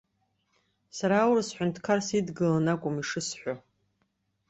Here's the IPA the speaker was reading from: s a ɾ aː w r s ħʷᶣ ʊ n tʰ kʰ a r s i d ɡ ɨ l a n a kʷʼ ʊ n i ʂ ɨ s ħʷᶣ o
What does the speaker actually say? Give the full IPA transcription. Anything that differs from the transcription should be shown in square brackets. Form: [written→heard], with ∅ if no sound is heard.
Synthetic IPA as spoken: s a ɾ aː w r s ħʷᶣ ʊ n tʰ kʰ a r s i d ɡ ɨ l a n a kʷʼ ʊ [n→m] i ʂ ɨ s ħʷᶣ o